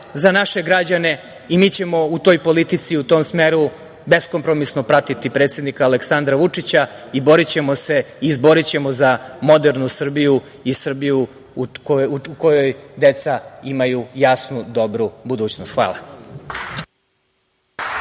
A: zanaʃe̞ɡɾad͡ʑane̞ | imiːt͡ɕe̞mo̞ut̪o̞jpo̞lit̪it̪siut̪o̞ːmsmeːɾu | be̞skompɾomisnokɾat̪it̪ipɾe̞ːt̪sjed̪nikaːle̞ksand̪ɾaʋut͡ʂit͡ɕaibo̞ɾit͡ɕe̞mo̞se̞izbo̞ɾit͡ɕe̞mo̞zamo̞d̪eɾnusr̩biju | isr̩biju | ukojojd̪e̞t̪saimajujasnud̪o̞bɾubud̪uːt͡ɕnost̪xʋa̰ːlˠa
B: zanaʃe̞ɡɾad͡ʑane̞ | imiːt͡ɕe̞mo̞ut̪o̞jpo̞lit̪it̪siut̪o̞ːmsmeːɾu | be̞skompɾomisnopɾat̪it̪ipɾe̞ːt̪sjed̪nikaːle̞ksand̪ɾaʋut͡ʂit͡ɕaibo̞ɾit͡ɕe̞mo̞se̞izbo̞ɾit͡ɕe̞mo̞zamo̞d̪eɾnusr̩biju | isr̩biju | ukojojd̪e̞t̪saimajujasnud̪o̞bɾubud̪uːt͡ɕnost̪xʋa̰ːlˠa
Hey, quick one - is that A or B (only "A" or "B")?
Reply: B